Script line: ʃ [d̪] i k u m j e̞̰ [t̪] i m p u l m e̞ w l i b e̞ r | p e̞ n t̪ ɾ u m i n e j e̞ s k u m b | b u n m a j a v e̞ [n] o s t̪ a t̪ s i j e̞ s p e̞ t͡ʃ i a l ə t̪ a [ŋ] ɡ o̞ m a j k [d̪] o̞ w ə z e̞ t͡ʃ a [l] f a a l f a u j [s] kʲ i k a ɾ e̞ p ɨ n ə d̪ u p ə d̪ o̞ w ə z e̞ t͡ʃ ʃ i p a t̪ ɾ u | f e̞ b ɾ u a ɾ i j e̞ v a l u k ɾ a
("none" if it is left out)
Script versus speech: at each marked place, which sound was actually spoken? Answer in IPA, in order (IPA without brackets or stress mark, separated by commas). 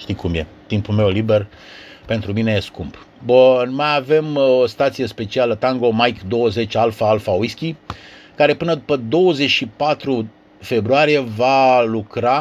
t̪, t̪, m, ŋ, d̪, l, s